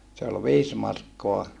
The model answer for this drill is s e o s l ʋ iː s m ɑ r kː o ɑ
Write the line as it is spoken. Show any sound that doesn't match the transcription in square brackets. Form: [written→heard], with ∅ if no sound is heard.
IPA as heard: s e o [s→∅] l ʋ iː s m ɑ r kː o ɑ